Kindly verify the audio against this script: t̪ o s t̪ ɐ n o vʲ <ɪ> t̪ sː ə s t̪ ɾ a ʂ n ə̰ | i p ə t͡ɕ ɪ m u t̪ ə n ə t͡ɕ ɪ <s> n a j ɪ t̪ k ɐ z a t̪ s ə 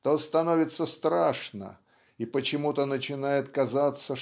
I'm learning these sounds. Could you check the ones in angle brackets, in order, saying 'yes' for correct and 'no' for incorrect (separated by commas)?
yes, no